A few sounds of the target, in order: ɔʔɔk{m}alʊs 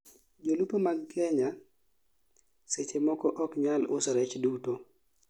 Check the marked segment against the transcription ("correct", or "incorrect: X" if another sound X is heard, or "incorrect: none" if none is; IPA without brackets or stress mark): incorrect: ɲ